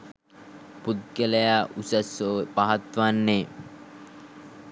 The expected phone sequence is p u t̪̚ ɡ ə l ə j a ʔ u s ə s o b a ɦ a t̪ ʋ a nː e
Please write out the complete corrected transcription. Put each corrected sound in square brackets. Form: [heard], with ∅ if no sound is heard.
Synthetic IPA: p u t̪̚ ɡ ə l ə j a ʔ u s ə s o [p] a ɦ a t̪ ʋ a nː e